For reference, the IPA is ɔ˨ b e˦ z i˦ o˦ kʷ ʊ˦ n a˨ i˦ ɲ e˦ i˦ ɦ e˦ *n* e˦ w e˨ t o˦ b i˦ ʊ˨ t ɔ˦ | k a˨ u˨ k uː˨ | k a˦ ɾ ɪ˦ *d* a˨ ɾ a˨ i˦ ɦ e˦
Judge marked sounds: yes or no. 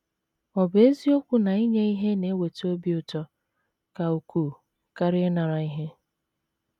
yes, no

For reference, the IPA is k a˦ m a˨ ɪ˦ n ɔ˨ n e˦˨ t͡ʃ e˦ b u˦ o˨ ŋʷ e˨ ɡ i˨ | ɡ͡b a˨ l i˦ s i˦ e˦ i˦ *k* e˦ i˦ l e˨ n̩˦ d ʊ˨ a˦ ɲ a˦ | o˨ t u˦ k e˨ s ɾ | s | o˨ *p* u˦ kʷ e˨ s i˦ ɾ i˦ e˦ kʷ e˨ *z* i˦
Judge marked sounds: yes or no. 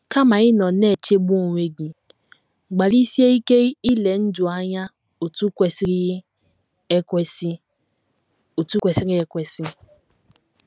yes, no, no

